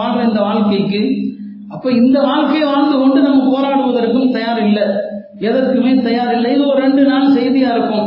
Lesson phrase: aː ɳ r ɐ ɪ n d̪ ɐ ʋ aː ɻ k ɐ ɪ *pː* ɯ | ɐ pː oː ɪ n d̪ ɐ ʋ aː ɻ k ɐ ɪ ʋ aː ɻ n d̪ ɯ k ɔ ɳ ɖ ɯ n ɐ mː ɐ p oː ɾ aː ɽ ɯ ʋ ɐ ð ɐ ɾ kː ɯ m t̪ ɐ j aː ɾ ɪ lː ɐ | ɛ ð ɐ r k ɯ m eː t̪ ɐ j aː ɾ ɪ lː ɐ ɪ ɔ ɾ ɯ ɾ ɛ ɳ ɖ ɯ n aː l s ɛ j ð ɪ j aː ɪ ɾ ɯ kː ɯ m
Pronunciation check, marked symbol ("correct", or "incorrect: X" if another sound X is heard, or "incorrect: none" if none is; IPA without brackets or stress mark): incorrect: kː